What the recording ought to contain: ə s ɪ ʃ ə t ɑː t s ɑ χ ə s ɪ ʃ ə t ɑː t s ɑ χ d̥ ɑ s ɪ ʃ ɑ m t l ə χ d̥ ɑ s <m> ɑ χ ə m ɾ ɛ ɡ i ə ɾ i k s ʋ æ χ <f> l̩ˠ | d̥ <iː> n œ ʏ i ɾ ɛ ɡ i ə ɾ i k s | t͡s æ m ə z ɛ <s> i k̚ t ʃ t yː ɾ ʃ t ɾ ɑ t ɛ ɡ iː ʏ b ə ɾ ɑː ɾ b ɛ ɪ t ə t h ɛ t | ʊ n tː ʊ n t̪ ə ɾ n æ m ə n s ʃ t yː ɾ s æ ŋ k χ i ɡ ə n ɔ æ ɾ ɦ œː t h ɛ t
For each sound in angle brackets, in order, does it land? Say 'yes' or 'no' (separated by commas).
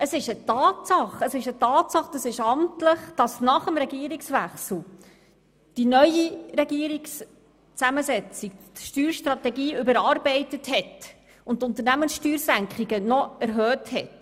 no, no, no, no